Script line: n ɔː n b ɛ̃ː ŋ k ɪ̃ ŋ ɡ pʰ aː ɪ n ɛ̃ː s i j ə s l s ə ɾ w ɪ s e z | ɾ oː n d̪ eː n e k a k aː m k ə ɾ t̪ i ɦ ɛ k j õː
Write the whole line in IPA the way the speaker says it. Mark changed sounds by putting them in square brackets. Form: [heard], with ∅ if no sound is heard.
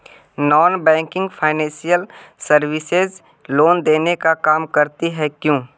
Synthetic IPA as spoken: n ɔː n b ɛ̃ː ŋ k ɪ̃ ŋ ɡ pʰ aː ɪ n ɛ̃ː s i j ə [∅] l s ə ɾ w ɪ s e z | [l] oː n d̪ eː n e k a k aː m k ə ɾ t̪ i ɦ ɛ k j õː